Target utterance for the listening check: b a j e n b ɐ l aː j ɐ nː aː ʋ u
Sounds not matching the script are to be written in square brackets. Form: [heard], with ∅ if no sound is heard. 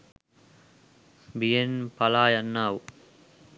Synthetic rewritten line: b [i] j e n [p] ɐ l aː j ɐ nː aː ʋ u

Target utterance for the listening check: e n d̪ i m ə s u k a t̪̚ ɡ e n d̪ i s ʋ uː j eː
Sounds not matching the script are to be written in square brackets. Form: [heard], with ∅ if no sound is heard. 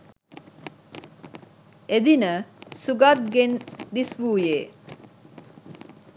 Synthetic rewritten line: e [∅] d̪ i [n] ə s u [ɡ] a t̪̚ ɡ e n d̪ i s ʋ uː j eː

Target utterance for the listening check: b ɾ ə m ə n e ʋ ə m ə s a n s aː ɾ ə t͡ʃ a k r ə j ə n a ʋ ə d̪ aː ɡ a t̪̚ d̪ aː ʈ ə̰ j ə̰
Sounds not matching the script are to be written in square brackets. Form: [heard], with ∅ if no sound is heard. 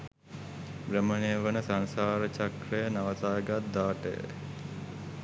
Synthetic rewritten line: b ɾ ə m ə n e ʋ ə [n] ə s a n s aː ɾ ə t͡ʃ a k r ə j ə n a ʋ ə [t̪] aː ɡ a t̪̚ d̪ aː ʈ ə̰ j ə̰

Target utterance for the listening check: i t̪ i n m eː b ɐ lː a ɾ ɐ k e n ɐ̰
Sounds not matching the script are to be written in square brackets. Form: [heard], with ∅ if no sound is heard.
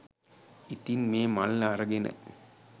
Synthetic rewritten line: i t̪ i n m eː [m] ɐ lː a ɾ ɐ [ɡ] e n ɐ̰

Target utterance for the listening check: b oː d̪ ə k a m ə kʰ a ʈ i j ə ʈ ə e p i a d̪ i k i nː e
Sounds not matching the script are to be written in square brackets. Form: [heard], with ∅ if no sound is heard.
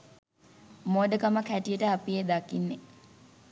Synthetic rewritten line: [m] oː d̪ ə k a m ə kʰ [æ] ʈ i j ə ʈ ə [a] p i [e] d̪ [a] k i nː e

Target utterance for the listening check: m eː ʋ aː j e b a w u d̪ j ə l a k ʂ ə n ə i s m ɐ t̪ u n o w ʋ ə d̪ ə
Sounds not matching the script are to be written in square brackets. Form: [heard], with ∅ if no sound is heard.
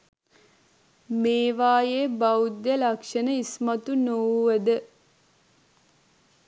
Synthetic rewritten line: m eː ʋ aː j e b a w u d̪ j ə l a k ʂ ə n ə i s m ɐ t̪ u n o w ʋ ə d̪ ə

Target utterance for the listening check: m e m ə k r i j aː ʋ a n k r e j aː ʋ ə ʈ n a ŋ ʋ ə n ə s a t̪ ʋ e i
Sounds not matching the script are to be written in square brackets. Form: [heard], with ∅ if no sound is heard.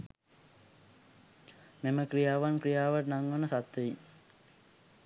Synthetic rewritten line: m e m ə k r i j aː ʋ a n k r [i] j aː ʋ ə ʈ n a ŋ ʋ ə n ə s a t̪ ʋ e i

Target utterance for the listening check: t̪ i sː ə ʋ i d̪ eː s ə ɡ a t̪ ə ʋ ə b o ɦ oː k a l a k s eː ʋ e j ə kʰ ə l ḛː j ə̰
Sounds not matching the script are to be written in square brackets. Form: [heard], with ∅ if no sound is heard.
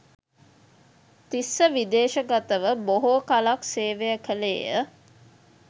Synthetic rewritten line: t̪ i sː ə ʋ i d̪ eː [ʃ] ə ɡ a t̪ ə ʋ ə b o ɦ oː k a l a k s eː ʋ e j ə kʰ ə l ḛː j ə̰

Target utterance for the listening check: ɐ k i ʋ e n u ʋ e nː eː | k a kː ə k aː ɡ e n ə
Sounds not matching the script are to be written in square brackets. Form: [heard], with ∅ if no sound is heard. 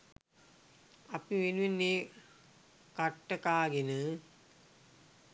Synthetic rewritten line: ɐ [p] i ʋ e n u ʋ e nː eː | k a [ʈː] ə k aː ɡ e n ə

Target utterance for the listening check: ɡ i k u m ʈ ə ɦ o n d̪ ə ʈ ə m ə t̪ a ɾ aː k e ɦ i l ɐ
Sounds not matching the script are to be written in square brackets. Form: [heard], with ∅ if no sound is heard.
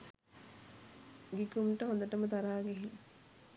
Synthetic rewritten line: ɡ i k u m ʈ ə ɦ o n d̪ ə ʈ ə m ə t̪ a ɾ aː [ɡ] e ɦ i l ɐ

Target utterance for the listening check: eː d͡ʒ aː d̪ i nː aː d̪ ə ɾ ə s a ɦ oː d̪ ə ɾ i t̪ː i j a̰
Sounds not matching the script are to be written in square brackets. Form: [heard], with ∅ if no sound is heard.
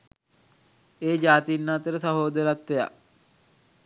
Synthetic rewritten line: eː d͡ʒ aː [t̪] i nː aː [t̪] ə ɾ ə s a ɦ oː d̪ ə ɾ [a] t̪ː [e] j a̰

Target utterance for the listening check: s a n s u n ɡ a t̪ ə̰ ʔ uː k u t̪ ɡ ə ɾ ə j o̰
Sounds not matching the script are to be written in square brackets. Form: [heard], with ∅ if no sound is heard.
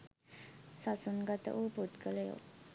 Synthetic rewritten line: s a [∅] s u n ɡ a t̪ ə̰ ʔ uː [p] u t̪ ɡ ə [l] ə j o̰

